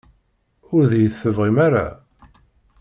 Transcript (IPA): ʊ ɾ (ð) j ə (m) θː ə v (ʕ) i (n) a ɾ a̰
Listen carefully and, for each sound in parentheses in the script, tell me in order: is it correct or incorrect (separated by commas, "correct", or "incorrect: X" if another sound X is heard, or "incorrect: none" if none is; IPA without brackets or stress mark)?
correct, incorrect: none, incorrect: ʁ, incorrect: m